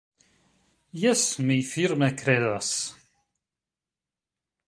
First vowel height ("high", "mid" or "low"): low